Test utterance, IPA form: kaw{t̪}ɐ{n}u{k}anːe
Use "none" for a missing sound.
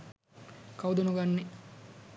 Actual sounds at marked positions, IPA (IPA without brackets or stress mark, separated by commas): d̪, n, ɡ